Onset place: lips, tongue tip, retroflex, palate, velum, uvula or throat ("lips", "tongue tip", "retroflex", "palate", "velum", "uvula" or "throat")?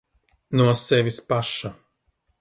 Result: tongue tip